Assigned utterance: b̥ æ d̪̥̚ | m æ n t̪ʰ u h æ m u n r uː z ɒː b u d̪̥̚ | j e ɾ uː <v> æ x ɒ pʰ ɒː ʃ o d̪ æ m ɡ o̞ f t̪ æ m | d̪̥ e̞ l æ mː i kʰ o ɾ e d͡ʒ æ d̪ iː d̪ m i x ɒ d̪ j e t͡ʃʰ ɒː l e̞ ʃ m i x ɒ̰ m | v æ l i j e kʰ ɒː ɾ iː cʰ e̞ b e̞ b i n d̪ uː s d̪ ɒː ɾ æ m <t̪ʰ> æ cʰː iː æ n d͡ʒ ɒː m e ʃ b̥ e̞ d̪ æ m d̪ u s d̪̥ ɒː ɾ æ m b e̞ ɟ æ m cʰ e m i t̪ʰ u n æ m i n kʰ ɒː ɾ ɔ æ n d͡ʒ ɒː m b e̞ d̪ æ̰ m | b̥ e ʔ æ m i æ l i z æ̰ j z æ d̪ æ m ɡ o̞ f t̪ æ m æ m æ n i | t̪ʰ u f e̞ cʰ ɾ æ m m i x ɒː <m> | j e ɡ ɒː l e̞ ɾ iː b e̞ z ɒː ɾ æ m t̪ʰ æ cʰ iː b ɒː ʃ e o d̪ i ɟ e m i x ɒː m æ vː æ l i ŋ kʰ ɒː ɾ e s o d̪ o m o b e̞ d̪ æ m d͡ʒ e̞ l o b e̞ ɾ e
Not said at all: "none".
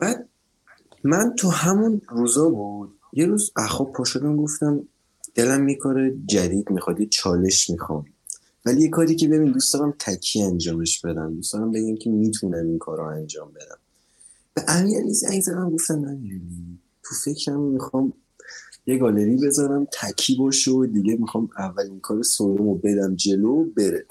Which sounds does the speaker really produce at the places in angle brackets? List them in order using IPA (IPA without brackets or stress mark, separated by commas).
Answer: z, t̪ʰ, m